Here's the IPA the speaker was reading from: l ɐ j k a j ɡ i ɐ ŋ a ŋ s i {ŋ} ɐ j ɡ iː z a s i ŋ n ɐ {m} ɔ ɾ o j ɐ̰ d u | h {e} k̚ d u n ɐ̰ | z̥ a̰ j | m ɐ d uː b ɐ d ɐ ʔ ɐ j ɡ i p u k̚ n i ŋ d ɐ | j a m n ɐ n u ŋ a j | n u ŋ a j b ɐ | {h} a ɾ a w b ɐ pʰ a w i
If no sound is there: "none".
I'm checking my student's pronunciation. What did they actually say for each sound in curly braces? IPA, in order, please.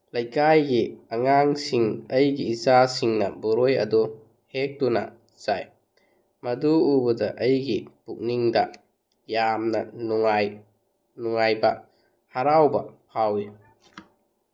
ŋ, b, e, h

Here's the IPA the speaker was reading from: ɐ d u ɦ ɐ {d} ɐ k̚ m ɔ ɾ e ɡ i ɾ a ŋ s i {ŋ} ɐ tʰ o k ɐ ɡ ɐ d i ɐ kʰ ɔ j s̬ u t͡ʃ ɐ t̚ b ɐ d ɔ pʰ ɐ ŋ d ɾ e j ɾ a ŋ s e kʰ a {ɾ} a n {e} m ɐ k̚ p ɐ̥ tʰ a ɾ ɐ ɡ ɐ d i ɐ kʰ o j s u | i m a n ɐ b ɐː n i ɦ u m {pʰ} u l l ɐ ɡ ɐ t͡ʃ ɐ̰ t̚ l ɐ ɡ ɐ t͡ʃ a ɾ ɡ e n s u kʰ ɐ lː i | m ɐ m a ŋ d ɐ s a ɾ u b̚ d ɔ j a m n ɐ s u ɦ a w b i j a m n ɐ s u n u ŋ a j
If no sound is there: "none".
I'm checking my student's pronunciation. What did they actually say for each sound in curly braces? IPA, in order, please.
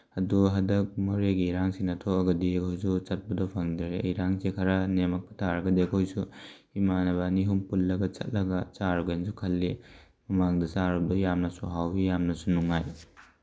d, n, ɾ, e, p

